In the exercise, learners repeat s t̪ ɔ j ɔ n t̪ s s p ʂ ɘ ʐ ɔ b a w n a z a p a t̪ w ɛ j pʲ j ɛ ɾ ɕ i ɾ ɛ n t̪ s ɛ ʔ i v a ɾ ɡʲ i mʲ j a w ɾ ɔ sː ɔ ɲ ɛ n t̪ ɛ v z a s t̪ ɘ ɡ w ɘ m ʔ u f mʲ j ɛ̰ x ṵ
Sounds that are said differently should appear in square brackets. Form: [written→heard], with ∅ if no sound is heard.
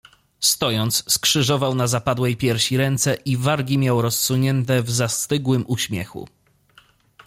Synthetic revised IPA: s t̪ ɔ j ɔ n t̪ s s [p→k] ʂ ɘ ʐ ɔ [b→v] a w n a z a p a [t̪→d̪] w ɛ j pʲ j ɛ ɾ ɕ i ɾ ɛ n t̪ s ɛ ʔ i v a ɾ ɡʲ i mʲ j a w ɾ ɔ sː [ɔ→u] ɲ ɛ n t̪ ɛ v z a s t̪ ɘ ɡ w ɘ m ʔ u [f→ɕ] mʲ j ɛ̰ x ṵ